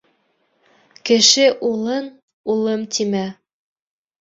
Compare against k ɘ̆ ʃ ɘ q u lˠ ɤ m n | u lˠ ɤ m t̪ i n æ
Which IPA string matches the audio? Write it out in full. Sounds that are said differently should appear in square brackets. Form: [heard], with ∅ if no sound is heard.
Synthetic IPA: k ɘ̆ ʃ ɘ [ʔ] u lˠ ɤ [∅] n | u lˠ ɤ m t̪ i [m] æ